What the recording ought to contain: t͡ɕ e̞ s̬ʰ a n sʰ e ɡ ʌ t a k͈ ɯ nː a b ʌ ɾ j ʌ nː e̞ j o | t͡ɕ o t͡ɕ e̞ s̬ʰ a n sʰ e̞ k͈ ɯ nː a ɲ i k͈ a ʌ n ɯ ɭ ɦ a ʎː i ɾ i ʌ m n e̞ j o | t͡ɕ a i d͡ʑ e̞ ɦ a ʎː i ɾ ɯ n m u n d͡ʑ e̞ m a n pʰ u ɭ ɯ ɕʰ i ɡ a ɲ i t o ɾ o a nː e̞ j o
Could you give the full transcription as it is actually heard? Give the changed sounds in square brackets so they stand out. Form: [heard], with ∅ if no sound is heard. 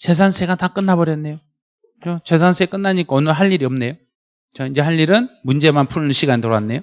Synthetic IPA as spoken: t͡ɕ e̞ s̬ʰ a n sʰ e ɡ [a] t a k͈ ɯ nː a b ʌ ɾ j ʌ nː e̞ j o | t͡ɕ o t͡ɕ e̞ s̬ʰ a n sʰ e̞ k͈ ɯ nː a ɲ i k͈ a ʌ n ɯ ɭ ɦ a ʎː i ɾ i ʌ m n e̞ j o | t͡ɕ a i d͡ʑ e̞ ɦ a ʎː i ɾ ɯ n m u n d͡ʑ e̞ m a n pʰ u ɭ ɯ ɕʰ i ɡ a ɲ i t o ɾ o a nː e̞ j o